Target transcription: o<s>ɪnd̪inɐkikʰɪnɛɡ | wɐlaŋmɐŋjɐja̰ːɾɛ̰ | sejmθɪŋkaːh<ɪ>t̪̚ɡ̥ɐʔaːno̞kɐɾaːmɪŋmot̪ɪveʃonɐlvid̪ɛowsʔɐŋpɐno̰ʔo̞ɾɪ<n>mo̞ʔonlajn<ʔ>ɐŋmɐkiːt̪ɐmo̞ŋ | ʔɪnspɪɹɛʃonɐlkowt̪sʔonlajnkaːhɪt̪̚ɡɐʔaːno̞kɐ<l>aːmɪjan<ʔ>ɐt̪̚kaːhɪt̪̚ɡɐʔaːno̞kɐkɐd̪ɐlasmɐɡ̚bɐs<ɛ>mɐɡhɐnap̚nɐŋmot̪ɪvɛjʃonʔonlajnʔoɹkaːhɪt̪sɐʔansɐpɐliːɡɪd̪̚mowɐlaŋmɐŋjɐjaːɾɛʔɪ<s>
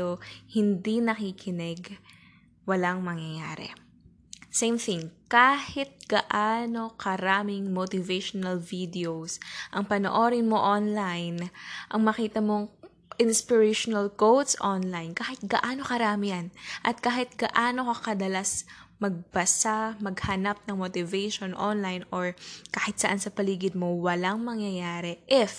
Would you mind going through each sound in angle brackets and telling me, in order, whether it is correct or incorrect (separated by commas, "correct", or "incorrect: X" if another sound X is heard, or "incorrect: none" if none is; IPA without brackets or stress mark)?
incorrect: h, correct, correct, correct, incorrect: ɾ, correct, incorrect: a, incorrect: f